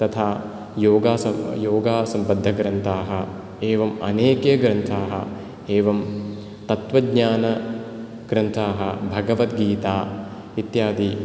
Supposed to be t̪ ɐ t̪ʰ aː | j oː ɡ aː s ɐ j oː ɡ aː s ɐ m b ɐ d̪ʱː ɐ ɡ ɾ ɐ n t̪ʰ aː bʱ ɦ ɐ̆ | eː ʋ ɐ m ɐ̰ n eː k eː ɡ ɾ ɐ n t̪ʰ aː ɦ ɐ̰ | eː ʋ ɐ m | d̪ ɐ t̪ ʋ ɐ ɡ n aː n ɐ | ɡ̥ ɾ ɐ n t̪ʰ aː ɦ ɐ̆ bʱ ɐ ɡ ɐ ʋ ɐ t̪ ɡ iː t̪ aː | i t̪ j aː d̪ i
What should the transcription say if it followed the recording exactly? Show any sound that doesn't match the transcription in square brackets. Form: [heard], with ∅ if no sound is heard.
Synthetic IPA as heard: t̪ ɐ t̪ʰ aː | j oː ɡ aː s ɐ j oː ɡ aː s ɐ m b ɐ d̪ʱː ɐ ɡ ɾ ɐ n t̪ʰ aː [∅] ɦ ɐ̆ | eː ʋ ɐ m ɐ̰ n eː k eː ɡ ɾ ɐ n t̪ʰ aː ɦ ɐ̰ | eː ʋ ɐ m | [t̪] ɐ t̪ ʋ ɐ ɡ [ɲ] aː n ɐ | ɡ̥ ɾ ɐ n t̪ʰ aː ɦ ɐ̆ bʱ ɐ ɡ ɐ ʋ ɐ t̪ ɡ iː t̪ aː | i t̪ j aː d̪ i